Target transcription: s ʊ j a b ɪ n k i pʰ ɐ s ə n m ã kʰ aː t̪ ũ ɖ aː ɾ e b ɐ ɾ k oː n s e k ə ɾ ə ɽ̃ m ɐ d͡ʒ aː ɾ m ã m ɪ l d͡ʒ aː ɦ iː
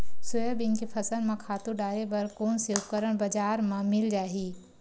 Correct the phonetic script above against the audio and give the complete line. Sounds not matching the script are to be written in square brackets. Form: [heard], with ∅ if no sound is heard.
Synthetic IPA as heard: s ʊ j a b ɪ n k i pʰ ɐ s ə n m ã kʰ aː t̪ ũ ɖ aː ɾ e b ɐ ɾ k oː n s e k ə ɾ ə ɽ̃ [b] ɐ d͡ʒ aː ɾ m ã m ɪ l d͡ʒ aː ɦ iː